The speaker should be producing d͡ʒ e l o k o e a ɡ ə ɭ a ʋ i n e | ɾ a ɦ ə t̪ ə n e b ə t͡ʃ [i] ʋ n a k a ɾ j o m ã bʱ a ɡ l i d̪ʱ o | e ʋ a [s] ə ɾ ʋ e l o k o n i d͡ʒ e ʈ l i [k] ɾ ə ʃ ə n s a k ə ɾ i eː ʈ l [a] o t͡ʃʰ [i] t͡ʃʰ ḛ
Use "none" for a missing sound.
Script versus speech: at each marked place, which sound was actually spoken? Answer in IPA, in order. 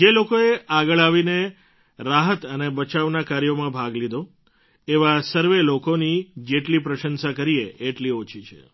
a, s, p, i, i

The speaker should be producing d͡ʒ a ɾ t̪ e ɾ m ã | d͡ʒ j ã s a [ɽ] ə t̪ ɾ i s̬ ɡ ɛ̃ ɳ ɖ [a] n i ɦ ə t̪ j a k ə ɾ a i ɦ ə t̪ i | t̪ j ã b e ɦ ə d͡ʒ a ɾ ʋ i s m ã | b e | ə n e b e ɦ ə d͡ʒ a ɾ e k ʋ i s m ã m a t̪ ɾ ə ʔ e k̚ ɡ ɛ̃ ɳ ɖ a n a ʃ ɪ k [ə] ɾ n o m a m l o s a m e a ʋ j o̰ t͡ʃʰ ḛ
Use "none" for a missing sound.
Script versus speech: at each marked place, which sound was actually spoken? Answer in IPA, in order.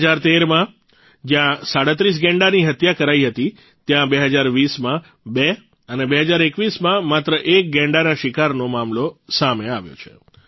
ɽ, a, a

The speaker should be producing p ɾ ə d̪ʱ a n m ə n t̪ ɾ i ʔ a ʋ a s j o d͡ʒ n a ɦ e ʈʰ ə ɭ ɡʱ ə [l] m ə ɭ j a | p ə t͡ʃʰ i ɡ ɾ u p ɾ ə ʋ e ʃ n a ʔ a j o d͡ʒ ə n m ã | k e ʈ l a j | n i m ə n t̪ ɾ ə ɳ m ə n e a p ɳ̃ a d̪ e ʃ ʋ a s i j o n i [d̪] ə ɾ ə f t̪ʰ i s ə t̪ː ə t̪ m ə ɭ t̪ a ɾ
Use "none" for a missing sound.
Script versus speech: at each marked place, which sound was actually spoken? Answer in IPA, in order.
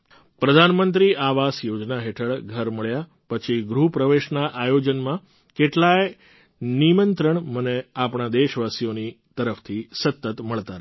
ɾ, t̪

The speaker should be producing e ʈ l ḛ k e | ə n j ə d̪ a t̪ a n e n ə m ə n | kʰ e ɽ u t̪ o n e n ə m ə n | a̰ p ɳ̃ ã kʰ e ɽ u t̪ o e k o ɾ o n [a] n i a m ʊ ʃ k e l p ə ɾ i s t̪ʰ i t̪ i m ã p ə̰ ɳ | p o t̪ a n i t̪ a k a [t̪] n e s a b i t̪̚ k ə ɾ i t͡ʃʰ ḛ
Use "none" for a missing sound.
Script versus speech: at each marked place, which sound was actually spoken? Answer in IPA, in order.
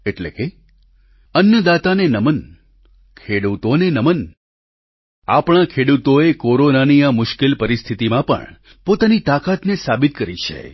a, t̪

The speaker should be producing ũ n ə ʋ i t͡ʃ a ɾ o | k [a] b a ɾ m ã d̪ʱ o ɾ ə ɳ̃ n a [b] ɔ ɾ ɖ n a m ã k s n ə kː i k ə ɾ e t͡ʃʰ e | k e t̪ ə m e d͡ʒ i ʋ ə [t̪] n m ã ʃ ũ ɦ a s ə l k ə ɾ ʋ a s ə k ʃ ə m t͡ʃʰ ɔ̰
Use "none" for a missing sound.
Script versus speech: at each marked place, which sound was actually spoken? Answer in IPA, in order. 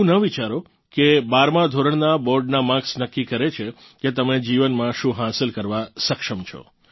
e, b, none

